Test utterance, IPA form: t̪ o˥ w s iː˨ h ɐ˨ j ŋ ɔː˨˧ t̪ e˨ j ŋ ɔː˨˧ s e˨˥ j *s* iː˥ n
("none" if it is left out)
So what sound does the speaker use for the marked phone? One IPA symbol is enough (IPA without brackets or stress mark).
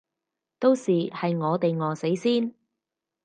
s